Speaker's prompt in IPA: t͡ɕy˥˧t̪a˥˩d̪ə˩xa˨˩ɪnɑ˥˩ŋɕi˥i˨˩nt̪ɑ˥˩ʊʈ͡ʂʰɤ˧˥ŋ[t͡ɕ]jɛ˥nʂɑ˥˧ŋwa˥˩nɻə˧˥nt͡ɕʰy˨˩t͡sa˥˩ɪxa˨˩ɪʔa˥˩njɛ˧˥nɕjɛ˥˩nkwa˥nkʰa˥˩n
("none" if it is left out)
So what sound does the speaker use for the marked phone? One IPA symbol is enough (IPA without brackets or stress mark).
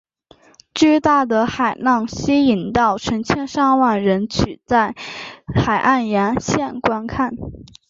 t͡ɕʰ